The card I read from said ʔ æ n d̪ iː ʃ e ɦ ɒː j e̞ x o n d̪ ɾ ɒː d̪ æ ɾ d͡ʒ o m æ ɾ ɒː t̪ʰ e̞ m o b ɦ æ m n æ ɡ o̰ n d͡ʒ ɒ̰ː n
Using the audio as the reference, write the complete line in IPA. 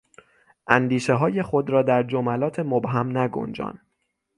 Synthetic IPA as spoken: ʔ æ n d̪ iː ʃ e ɦ ɒː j e̞ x o d̪ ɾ ɒː d̪ æ ɾ d͡ʒ o m æ l ɒː t̪ʰ e̞ m o b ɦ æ m n æ ɡ o̰ n d͡ʒ ɒ̰ː n